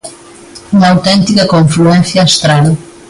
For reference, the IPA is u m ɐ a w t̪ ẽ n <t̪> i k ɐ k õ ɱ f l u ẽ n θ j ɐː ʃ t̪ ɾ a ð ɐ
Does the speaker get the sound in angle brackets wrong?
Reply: no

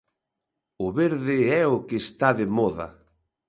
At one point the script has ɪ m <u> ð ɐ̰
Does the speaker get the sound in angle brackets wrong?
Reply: yes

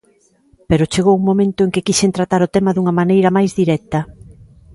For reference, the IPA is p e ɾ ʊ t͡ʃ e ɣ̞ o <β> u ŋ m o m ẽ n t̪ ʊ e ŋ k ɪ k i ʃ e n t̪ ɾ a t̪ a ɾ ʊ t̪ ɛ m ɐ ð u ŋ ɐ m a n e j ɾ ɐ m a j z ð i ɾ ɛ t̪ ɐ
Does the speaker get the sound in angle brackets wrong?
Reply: yes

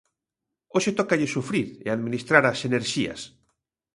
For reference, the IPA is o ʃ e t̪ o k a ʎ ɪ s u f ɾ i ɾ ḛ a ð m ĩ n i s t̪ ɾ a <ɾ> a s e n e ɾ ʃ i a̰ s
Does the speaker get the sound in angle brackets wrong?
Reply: no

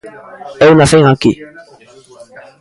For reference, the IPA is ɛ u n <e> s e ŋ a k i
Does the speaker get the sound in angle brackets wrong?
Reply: yes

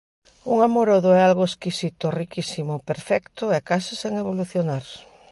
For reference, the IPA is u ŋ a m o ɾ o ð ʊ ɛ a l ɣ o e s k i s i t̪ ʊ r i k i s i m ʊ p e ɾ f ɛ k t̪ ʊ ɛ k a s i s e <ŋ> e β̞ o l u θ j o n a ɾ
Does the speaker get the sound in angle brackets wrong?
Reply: no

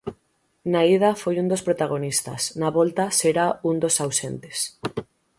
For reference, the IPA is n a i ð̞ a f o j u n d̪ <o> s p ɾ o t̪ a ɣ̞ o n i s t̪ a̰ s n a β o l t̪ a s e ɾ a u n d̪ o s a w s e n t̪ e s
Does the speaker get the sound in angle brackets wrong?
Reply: no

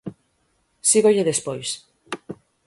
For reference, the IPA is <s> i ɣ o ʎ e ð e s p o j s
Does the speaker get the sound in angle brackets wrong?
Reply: no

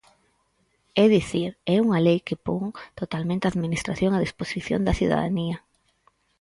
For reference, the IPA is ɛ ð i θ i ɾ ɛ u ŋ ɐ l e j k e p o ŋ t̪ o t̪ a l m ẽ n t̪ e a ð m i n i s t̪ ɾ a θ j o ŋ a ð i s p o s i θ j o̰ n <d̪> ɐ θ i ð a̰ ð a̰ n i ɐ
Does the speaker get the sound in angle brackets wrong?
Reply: no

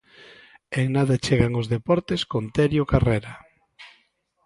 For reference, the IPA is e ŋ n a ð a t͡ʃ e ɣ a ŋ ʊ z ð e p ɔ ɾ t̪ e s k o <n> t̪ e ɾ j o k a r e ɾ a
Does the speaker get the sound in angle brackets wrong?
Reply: no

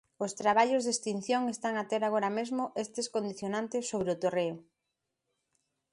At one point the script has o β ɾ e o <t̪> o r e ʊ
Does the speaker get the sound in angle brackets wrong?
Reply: no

